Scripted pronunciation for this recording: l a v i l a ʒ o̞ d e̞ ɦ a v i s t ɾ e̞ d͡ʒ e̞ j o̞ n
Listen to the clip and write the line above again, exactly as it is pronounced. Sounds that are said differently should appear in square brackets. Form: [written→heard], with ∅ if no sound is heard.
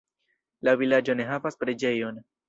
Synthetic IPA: l a v i l a [ʒ→d͡ʒ] o̞ [d→n] e̞ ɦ a v [i→a] s [t→p] ɾ e̞ d͡ʒ e̞ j o̞ n

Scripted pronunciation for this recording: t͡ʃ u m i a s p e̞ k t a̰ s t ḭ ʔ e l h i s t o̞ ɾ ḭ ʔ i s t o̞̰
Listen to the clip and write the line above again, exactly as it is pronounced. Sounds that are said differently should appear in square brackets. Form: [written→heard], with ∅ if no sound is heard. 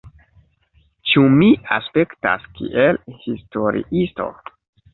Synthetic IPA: t͡ʃ u m i a s p e̞ k t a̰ s [t→k] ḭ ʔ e l h i s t o̞ ɾ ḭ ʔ i s t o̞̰

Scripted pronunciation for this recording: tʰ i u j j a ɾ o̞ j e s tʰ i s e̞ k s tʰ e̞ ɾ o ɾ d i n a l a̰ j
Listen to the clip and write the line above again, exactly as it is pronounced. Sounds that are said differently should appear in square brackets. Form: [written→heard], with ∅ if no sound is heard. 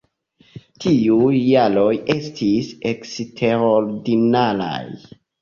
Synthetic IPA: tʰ i u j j a [ɾ→l] o̞ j e s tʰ i s e̞ k s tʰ e̞ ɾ o ɾ d i n a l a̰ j

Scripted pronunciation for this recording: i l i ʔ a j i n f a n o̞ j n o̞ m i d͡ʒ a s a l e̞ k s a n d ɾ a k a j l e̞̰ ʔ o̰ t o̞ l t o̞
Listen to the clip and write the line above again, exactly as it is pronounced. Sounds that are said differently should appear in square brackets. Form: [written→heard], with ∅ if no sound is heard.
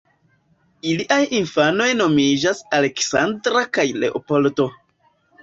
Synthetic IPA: i l i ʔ a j i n f a n o̞ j n o̞ m i d͡ʒ a s a l e̞ k s a n d ɾ a k a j l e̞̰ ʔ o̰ [t→p] o̞ l t o̞

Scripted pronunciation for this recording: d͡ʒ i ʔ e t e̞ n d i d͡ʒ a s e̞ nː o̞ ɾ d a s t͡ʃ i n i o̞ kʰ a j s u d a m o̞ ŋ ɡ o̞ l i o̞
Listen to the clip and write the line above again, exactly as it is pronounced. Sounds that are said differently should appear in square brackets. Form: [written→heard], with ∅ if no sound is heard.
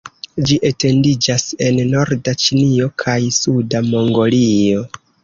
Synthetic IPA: d͡ʒ i ʔ e t e̞ n d i d͡ʒ a s e̞ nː o̞ ɾ d a [s→∅] t͡ʃ i n i o̞ kʰ a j s u d a m o̞ ŋ ɡ o̞ l i o̞

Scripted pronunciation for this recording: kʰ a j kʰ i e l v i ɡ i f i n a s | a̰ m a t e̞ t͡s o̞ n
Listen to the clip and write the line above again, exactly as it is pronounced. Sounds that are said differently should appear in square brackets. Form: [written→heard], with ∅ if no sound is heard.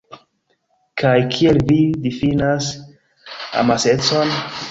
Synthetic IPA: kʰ a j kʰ i e l v i [ɡ→d] i f i n a s | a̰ m a [t→s] e̞ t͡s o̞ n

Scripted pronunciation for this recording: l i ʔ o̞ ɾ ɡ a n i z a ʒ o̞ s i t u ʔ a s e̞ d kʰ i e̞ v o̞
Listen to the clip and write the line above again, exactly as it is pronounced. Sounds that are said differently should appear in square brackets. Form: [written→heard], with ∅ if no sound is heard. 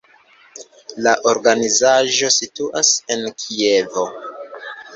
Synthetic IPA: l [i→a] ʔ o̞ ɾ ɡ a n i z a ʒ o̞ s i t u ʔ a s e̞ [d→n] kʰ i e̞ v o̞

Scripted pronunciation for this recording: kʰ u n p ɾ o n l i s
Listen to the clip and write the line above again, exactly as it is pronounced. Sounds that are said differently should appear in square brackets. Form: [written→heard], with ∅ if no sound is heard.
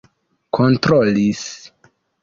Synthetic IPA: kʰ [u→o] n [p→t] ɾ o [n→∅] l i s

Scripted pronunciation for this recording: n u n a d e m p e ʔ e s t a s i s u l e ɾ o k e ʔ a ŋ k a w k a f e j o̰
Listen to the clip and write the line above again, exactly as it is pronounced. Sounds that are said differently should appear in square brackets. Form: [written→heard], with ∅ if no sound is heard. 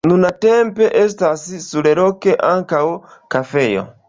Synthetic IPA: n u n a [d→t] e m p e ʔ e s t a s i s u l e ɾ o k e ʔ a ŋ k a w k a f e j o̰

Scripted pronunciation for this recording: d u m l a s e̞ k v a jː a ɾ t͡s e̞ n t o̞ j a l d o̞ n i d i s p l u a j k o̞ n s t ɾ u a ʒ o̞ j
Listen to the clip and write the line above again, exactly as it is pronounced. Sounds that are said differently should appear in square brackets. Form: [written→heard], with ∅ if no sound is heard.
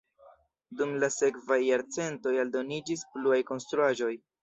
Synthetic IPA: d u m l a s e̞ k v a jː a ɾ t͡s e̞ n t o̞ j a l d o̞ n i [d→d͡ʒ] i s p l u a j k o̞ n s t ɾ u a ʒ o̞ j

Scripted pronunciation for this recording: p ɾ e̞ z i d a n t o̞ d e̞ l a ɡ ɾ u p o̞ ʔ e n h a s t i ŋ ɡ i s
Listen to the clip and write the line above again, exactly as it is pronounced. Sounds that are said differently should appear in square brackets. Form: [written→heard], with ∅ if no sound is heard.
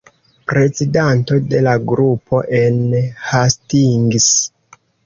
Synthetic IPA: p ɾ e̞ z i d a n t o̞ d e̞ l a ɡ ɾ u p o̞ ʔ e n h a s t i ŋ ɡ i s

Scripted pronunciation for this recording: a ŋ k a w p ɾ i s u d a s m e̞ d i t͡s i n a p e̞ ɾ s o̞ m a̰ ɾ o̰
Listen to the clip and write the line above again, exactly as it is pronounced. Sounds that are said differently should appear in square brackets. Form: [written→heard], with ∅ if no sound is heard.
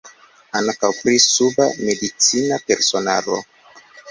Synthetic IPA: a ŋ k a w p ɾ i s u [d→b] a [s→∅] m e̞ d i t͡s i n a p e̞ ɾ s o̞ [m→n] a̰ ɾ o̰

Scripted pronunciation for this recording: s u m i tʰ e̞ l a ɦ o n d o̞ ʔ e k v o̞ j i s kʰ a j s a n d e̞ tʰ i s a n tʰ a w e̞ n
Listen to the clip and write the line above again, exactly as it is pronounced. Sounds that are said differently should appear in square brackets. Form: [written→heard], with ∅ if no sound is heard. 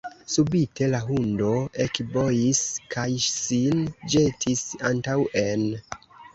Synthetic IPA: s u [m→b] i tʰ e̞ l a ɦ [o→u] n d o̞ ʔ e k [v→b] o̞ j i s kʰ a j s [a→i] n [d→d͡ʒ] e̞ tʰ i s a n [tʰ→t] a w e̞ n

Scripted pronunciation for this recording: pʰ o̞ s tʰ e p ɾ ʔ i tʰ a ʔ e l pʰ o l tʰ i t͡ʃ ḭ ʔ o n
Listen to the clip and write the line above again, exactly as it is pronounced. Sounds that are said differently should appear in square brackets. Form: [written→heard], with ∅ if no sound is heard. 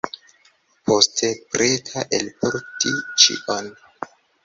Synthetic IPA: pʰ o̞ s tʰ e p ɾ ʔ [i→e] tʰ a ʔ e l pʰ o [l→ɾ] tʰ i t͡ʃ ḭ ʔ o n

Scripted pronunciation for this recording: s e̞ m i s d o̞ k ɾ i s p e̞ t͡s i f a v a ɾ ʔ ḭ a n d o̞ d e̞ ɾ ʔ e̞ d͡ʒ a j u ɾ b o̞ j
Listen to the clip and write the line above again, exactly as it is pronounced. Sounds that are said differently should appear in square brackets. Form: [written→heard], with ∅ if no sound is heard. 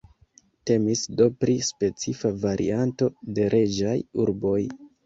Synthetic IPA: [s→t] e̞ m i s d o̞ [k→p] ɾ i s p e̞ t͡s i f a v a ɾ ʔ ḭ a n [d→t] o̞ d e̞ ɾ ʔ e̞ d͡ʒ a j u ɾ b o̞ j

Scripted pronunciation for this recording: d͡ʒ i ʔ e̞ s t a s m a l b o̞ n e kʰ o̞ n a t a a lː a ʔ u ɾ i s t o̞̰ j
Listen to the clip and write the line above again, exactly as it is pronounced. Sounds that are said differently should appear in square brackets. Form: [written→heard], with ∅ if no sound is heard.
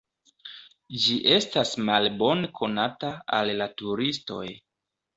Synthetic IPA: d͡ʒ i ʔ e̞ s t a s m a l b o̞ n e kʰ o̞ n a t a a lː a [ʔ→t] u ɾ i s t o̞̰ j

